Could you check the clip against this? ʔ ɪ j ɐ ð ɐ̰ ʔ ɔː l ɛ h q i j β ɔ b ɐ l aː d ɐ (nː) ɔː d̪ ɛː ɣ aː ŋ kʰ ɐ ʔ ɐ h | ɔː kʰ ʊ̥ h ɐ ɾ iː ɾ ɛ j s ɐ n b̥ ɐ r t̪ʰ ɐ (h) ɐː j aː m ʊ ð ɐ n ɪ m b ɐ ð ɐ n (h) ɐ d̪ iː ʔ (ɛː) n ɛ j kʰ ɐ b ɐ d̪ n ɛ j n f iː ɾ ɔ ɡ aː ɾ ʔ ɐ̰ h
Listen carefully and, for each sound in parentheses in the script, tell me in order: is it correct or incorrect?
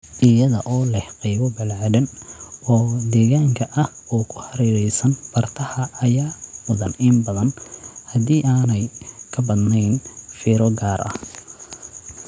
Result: incorrect, correct, correct, incorrect

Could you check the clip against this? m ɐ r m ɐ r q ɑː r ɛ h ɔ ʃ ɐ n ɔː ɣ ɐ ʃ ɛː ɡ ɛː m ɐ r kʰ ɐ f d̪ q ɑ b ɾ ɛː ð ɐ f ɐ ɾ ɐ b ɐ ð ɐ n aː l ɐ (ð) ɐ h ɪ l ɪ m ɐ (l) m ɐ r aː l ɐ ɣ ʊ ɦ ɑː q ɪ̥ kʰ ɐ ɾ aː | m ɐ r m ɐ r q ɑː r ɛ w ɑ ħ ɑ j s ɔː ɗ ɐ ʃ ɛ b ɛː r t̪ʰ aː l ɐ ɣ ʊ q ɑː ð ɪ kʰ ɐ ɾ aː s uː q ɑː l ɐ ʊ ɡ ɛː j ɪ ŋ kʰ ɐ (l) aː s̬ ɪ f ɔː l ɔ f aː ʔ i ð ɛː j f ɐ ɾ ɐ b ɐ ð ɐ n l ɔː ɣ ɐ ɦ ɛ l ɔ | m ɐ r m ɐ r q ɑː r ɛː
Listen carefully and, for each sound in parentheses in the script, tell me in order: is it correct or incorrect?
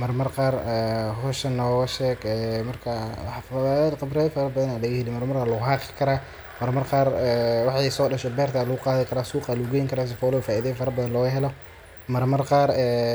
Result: incorrect, incorrect, incorrect

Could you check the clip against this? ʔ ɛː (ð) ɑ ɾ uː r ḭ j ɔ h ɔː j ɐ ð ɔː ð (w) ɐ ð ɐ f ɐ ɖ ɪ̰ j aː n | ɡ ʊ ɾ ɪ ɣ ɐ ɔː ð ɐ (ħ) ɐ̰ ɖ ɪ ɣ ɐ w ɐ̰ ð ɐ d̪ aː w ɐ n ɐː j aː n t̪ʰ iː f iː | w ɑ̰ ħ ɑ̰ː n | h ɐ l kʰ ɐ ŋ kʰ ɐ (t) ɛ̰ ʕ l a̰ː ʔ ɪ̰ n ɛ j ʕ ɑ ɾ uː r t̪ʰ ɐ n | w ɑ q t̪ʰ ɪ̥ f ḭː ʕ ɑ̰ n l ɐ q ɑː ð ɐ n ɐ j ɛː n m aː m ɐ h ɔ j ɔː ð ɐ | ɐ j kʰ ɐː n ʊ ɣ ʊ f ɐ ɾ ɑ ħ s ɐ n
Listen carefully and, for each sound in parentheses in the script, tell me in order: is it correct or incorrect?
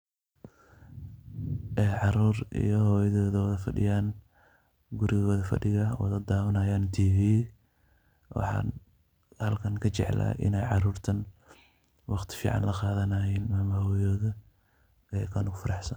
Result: incorrect, correct, incorrect, incorrect

